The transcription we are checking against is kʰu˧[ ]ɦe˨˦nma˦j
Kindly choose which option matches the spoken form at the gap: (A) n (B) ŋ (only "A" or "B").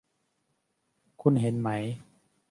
A